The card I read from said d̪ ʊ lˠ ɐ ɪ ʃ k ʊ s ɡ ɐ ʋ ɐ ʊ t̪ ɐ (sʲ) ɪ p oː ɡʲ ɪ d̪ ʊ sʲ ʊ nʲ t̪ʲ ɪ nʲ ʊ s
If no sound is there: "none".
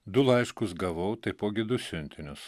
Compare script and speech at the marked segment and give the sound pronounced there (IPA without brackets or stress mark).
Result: none